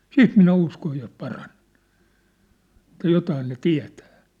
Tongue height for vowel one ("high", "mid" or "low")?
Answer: high